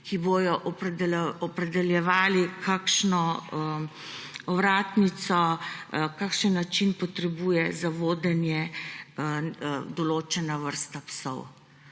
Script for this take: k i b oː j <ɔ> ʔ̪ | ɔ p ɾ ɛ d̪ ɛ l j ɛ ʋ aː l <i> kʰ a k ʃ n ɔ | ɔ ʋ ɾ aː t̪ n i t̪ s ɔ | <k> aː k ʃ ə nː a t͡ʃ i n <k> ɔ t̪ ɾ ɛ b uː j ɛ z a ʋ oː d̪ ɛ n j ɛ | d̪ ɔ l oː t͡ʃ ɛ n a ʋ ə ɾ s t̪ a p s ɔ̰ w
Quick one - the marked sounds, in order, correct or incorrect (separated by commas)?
correct, correct, correct, incorrect